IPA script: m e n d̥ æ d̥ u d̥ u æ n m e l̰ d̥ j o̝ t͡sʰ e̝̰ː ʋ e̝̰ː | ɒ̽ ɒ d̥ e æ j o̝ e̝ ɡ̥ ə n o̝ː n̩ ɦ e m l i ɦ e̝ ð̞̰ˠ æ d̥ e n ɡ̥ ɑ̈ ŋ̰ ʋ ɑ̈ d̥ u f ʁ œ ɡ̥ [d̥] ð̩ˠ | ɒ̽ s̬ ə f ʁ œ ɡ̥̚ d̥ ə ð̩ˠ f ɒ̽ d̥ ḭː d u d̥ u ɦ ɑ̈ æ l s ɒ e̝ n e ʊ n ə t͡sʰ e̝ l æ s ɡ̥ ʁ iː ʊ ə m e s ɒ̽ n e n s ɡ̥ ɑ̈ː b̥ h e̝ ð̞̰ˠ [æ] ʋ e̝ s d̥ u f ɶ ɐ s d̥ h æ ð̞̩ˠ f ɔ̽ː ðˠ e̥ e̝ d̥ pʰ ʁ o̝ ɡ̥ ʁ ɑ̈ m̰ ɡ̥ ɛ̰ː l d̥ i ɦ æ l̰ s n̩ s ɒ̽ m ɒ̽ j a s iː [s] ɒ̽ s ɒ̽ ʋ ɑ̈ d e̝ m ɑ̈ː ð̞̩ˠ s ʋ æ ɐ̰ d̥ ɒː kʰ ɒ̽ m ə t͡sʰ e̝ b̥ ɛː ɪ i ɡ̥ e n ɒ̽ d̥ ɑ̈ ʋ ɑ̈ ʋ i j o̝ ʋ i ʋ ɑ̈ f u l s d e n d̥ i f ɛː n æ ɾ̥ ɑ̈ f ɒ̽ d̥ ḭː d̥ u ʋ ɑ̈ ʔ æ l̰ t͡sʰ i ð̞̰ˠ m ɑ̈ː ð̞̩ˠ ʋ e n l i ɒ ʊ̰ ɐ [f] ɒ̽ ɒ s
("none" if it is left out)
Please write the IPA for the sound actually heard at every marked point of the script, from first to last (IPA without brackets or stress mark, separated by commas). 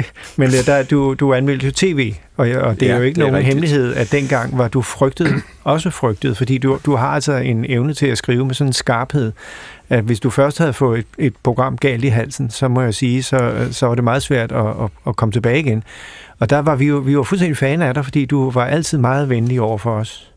d̥, æ, s, f